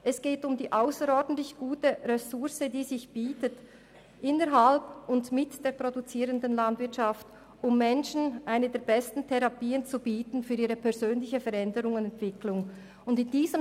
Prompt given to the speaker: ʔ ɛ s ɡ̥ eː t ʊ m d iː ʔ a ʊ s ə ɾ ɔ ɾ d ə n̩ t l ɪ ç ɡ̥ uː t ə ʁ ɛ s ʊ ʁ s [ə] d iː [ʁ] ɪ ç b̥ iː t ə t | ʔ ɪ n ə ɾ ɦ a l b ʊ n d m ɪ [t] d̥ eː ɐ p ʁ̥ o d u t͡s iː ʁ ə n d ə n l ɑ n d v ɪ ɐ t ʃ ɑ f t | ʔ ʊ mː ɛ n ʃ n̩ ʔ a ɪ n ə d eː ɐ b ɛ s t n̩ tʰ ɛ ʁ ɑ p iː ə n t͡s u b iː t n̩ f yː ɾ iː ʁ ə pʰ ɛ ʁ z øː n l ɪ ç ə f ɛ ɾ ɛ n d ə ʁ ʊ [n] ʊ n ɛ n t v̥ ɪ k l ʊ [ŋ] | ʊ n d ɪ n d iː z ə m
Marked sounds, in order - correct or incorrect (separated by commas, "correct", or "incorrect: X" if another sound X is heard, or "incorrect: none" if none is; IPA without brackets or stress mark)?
correct, incorrect: z, correct, incorrect: ŋ, correct